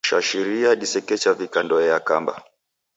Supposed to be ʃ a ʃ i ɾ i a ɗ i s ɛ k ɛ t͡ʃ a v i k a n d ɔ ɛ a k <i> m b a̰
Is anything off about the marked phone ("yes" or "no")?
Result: yes